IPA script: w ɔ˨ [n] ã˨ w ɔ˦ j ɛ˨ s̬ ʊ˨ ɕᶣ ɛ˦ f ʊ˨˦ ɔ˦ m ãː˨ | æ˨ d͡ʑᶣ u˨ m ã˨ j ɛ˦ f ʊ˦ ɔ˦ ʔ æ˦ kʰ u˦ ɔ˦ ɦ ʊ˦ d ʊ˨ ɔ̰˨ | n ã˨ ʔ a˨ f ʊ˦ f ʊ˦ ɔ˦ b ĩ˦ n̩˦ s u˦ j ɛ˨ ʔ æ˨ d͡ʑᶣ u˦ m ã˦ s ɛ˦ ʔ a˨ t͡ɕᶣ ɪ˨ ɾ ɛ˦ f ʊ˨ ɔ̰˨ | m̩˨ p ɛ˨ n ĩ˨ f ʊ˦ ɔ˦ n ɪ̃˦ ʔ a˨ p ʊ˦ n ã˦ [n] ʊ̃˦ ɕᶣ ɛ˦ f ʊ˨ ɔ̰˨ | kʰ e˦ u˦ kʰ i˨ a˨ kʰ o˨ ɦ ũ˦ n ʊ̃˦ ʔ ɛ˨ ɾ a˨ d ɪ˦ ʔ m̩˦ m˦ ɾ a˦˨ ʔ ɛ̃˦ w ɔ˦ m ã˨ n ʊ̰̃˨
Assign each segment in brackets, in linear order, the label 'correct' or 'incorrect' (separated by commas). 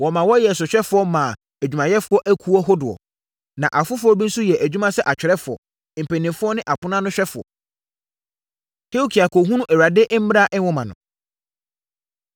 incorrect, correct